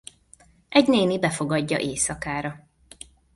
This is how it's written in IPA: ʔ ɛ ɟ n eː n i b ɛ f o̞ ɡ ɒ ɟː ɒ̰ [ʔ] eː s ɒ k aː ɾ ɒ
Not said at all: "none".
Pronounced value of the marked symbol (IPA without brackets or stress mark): ʔ